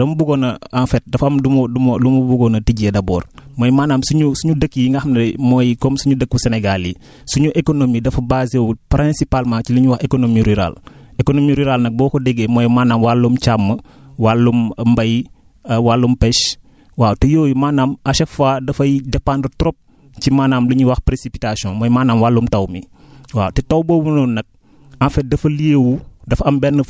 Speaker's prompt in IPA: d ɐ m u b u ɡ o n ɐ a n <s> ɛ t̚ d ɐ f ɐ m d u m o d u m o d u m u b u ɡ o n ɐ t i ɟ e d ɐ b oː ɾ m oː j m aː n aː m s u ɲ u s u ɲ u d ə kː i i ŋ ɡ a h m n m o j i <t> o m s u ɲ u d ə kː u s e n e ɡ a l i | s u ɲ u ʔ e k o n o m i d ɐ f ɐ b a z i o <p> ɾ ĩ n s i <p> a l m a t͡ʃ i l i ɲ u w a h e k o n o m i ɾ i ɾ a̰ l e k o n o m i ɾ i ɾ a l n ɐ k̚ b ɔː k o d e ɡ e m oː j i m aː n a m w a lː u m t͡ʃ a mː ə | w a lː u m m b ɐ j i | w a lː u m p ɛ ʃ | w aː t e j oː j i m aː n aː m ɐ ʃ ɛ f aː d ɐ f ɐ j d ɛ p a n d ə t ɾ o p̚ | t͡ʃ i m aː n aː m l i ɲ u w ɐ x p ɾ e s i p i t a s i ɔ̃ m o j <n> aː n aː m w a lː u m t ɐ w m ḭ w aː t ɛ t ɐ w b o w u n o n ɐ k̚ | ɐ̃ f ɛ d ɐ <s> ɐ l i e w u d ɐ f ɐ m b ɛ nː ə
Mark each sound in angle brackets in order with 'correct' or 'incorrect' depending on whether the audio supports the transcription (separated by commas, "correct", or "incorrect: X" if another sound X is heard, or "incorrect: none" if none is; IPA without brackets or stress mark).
incorrect: f, incorrect: k, correct, correct, incorrect: m, incorrect: f